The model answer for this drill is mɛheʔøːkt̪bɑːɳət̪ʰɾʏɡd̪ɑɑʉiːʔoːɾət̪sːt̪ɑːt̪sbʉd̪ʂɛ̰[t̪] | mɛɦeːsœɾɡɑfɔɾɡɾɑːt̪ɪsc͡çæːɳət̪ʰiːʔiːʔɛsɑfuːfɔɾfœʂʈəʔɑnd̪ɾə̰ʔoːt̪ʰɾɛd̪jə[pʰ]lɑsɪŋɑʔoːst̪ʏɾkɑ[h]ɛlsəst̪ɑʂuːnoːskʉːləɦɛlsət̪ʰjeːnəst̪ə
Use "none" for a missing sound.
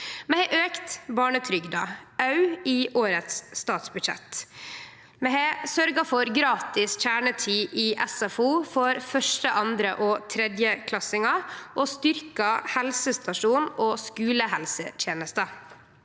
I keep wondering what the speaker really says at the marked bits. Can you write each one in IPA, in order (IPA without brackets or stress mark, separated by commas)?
t̪, kʰ, h